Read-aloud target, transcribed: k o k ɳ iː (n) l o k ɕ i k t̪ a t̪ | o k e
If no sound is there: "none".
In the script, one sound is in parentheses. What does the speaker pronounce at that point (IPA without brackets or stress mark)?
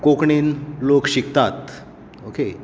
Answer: n